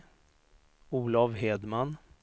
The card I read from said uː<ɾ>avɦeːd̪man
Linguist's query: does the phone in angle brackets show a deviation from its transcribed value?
yes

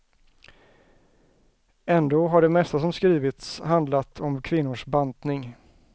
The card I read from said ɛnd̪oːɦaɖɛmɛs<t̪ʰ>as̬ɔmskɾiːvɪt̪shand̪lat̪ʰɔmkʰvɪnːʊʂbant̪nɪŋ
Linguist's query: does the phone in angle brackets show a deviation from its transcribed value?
yes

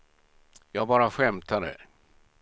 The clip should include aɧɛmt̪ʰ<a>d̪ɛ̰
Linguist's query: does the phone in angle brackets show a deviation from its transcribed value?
no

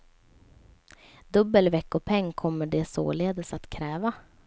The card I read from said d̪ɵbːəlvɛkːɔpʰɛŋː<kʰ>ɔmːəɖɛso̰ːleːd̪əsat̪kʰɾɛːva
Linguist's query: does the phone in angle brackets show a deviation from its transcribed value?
no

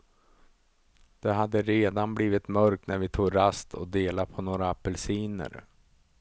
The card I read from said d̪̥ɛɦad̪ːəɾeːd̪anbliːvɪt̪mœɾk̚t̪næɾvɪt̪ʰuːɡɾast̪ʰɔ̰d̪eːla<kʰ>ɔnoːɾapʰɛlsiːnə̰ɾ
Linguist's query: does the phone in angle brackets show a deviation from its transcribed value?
yes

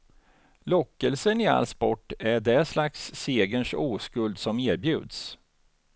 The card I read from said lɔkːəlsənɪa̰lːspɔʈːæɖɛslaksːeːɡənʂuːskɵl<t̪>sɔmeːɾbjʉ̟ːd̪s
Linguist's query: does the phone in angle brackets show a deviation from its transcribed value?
yes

